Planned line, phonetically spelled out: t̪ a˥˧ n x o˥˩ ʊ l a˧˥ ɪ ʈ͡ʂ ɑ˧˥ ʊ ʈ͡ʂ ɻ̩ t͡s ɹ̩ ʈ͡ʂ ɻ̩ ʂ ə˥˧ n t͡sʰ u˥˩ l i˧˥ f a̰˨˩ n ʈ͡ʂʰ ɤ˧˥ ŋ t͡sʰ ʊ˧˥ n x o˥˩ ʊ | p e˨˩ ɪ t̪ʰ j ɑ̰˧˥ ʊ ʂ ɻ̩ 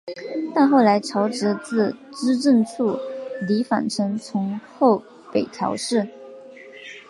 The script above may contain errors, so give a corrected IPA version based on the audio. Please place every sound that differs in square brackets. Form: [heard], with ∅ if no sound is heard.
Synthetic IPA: t̪ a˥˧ n x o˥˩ ʊ l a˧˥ ɪ [ʈ͡ʂʰ] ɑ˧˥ ʊ ʈ͡ʂ ɻ̩ t͡s ɹ̩ ʈ͡ʂ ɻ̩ [ʈ͡ʂ] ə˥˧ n t͡sʰ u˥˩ l i˧˥ f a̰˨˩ n ʈ͡ʂʰ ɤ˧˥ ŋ t͡sʰ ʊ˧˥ [ŋ] x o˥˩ ʊ | p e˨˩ ɪ t̪ʰ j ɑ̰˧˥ ʊ ʂ ɻ̩